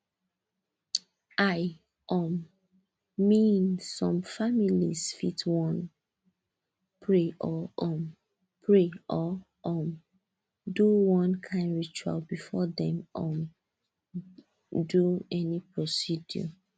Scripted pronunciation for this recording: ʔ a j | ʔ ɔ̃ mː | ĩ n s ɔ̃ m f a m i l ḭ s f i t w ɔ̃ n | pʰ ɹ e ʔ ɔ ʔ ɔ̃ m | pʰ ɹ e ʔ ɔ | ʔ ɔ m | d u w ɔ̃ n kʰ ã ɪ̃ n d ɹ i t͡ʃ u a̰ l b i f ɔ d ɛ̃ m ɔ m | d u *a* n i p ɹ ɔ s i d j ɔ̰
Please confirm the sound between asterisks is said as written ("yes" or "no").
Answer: no